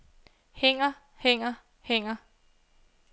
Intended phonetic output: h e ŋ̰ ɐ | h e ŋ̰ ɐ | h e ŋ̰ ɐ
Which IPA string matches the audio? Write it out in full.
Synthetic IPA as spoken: h e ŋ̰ ɐ | h e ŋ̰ ɐ | h e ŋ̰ ɐ